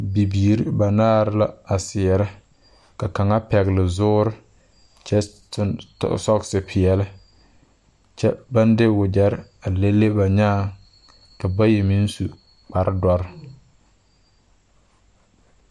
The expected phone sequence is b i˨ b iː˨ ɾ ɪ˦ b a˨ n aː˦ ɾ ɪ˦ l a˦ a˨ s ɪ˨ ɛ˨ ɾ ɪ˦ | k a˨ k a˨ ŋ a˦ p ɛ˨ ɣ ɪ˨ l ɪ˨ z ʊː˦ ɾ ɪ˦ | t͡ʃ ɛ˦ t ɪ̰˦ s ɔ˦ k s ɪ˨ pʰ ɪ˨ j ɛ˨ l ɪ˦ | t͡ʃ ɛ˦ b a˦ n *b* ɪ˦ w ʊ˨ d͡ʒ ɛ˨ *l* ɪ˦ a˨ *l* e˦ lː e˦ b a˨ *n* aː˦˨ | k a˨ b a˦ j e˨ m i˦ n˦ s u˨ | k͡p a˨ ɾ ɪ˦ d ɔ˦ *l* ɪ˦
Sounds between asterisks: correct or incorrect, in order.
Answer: incorrect, incorrect, correct, incorrect, incorrect

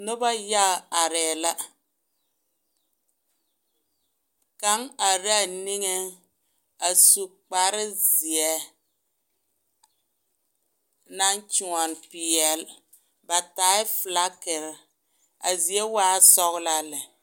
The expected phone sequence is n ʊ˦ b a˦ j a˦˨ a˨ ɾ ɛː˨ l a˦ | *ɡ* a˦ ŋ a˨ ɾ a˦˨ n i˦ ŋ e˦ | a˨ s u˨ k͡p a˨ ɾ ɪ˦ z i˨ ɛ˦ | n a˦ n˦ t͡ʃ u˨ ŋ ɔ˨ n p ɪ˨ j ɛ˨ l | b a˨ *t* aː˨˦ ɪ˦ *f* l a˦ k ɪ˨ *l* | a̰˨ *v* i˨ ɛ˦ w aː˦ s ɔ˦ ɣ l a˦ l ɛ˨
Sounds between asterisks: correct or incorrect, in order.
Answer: incorrect, correct, correct, incorrect, incorrect

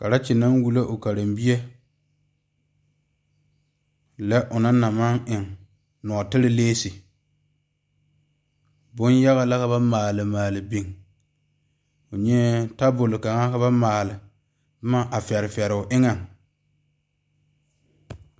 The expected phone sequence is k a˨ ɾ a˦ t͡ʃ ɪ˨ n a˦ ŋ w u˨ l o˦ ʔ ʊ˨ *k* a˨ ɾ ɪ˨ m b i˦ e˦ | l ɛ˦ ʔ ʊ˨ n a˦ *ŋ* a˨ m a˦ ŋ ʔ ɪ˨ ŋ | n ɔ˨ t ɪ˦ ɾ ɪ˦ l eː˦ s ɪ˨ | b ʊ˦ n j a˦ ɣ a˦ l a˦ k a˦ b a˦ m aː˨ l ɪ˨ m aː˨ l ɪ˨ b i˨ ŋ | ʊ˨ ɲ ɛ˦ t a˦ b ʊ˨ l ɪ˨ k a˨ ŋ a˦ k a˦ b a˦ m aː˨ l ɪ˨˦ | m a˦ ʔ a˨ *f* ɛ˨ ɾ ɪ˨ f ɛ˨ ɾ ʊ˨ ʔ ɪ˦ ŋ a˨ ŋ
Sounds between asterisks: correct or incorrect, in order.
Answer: correct, incorrect, correct

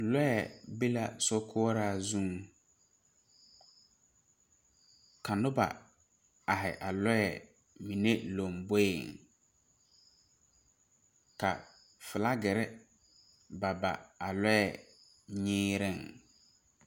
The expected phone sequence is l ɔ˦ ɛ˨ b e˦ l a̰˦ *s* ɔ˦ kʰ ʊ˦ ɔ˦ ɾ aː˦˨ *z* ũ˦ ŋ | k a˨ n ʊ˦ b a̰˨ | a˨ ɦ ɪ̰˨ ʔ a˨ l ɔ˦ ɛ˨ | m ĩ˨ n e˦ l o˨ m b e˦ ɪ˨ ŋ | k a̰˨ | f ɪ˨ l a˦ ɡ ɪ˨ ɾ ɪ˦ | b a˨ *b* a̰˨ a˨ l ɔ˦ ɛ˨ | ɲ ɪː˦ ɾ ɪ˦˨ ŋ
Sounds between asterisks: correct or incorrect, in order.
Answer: correct, correct, correct

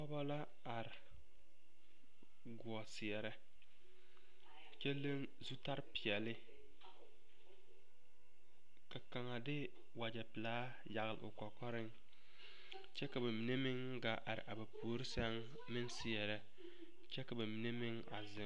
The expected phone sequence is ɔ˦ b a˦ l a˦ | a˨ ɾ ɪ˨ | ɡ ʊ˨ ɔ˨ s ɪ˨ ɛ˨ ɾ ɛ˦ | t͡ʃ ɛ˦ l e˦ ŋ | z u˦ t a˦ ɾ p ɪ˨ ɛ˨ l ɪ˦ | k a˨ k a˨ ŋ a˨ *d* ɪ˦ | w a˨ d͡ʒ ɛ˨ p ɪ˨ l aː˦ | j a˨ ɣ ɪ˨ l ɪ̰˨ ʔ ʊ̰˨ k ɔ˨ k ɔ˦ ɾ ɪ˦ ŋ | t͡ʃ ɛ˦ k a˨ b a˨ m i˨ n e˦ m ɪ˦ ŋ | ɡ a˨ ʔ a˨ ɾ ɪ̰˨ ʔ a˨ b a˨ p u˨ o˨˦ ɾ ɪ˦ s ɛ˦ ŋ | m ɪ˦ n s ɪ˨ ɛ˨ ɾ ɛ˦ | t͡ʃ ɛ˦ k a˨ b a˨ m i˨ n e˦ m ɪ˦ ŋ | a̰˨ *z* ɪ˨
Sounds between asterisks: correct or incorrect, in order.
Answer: correct, correct

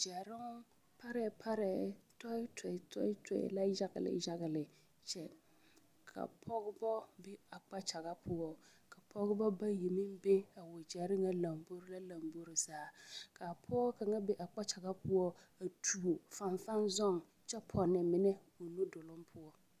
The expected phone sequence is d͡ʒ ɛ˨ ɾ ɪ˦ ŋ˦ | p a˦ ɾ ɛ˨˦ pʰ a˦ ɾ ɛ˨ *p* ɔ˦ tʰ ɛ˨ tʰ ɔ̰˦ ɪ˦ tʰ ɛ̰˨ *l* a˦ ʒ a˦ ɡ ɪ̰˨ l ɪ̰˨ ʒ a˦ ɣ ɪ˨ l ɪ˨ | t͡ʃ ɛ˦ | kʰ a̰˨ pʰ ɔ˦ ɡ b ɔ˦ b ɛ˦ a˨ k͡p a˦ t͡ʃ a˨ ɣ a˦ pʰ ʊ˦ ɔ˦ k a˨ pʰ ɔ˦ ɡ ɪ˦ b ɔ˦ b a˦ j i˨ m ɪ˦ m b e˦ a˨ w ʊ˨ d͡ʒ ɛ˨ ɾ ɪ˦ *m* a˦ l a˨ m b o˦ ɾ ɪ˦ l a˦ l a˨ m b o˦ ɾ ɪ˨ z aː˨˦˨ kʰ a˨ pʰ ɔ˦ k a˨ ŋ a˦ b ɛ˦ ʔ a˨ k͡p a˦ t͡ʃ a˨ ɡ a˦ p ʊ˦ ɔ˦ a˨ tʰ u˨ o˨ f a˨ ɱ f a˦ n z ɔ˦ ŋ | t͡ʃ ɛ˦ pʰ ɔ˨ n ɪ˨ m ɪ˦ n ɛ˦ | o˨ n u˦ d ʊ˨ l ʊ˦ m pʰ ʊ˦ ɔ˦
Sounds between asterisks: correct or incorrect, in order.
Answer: incorrect, correct, incorrect

